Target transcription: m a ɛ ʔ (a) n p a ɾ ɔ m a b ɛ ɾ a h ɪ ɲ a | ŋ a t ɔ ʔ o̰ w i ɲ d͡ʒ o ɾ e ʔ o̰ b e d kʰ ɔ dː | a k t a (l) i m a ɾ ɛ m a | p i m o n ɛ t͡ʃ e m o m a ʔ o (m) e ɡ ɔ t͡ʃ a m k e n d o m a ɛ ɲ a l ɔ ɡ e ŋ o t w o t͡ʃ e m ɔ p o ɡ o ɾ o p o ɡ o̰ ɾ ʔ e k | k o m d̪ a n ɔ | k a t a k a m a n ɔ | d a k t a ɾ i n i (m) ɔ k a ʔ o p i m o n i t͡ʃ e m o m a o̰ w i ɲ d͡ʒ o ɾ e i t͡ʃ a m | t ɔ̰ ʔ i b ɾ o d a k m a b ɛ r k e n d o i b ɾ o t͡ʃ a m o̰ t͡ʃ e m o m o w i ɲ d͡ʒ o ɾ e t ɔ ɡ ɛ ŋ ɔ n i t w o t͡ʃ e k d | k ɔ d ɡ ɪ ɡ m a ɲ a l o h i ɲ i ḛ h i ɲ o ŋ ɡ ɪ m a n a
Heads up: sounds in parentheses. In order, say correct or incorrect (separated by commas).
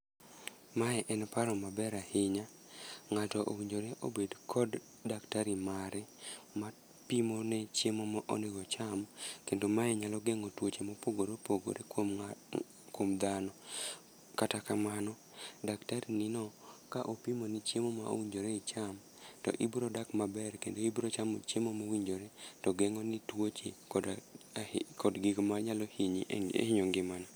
incorrect, incorrect, incorrect, incorrect